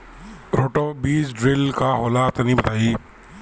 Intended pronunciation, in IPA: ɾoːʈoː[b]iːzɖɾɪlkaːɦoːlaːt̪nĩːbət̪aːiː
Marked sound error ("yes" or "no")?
no